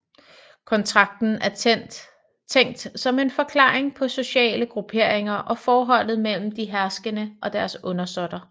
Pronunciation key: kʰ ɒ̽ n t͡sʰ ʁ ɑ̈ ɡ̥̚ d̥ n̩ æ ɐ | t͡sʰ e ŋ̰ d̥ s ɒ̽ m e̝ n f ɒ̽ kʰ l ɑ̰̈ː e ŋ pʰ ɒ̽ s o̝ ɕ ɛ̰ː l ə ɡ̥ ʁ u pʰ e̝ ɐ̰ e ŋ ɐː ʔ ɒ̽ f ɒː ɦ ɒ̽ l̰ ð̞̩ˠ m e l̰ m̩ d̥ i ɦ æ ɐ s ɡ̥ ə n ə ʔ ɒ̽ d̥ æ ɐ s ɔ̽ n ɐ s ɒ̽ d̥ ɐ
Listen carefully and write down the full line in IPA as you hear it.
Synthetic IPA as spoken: kʰ ɒ̽ n t͡sʰ ʁ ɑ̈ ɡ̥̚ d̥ n̩ æ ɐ | t͡sʰ e ŋ̰ d̥ s ɒ̽ m e̝ n f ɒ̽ kʰ l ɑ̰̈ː e ŋ pʰ ɒ̽ s o̝ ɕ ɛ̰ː l ə ɡ̥ ʁ u pʰ e̝ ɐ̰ e ŋ ɐ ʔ ɒ̽ f ɒː ɦ ɒ̽ l̰ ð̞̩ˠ m e l̰ m̩ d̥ i ɦ æ ɐ s ɡ̥ ə n ə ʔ ɒ̽ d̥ æ ɐ s ɔ̽ n ɐ s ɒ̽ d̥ ɐ